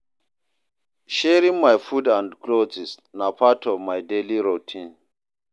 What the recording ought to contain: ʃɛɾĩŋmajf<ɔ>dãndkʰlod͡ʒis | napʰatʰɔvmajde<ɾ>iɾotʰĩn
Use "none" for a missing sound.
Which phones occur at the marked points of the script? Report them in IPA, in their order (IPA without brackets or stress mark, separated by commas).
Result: u, l